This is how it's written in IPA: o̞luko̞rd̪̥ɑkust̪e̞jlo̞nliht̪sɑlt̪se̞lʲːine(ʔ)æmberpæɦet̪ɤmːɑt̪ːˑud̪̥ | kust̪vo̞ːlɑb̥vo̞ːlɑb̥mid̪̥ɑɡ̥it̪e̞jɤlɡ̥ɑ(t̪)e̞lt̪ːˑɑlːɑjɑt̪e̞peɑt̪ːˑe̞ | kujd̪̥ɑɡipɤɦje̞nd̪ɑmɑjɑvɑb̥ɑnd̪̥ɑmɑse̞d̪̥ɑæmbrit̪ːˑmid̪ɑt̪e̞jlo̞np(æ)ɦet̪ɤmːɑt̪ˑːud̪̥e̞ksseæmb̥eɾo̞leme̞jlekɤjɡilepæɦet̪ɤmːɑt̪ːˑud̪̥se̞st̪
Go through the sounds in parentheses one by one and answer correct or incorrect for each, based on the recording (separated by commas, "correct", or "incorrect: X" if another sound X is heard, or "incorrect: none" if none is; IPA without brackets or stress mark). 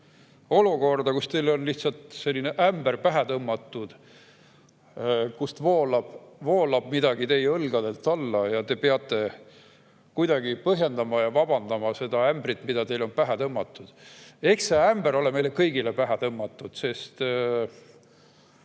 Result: correct, incorrect: d̪, correct